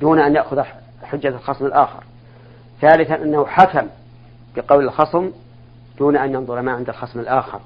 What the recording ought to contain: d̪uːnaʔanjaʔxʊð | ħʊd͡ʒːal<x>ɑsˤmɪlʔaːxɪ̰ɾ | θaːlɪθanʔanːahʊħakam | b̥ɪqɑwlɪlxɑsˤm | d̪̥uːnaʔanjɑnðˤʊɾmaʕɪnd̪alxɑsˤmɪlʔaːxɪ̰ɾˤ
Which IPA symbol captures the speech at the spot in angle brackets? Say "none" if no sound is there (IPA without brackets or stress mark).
x